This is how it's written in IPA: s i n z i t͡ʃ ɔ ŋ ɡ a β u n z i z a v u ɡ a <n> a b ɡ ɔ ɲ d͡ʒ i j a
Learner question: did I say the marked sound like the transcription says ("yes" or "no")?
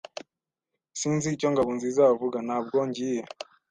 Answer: yes